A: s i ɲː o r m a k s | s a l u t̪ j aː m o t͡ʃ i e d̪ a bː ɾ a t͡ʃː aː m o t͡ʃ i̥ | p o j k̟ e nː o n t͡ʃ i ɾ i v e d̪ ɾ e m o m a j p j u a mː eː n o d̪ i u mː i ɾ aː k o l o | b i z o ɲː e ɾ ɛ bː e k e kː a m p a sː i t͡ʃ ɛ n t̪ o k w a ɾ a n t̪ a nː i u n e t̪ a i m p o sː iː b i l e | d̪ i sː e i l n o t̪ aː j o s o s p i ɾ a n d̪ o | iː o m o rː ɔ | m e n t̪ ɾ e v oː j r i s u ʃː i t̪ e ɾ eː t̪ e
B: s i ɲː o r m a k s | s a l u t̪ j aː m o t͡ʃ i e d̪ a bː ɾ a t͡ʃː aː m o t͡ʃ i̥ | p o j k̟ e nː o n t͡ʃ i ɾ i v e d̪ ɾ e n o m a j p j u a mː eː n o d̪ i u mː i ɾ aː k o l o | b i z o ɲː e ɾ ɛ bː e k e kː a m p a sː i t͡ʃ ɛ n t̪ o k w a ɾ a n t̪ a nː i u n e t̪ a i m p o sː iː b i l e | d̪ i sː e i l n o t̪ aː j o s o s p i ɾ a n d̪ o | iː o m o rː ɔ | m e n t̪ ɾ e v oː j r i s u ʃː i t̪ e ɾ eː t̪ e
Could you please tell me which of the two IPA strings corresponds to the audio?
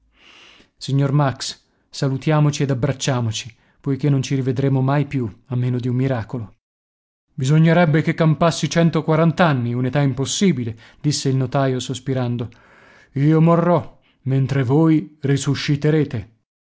A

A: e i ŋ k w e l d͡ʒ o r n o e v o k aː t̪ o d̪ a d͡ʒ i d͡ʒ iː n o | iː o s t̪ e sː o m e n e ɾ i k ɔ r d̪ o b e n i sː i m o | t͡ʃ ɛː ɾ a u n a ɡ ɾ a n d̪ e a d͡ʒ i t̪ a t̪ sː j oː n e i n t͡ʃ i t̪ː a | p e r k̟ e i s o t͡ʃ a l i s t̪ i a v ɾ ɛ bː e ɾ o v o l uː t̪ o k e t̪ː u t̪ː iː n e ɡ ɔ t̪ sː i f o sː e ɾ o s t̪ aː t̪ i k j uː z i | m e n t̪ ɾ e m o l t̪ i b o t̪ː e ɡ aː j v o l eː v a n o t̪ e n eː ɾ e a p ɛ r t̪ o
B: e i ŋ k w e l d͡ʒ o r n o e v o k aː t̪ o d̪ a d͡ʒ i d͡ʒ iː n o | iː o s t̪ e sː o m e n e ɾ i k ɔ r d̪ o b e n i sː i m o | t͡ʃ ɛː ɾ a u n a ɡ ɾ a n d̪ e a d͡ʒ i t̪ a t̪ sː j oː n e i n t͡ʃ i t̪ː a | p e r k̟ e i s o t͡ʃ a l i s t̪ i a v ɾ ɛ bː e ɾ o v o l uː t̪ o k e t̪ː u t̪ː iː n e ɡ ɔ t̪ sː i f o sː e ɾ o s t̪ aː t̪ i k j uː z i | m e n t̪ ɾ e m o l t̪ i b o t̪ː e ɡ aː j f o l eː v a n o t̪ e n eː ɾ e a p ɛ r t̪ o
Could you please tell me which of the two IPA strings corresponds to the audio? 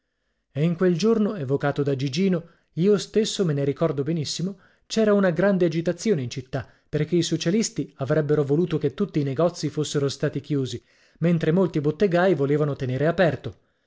A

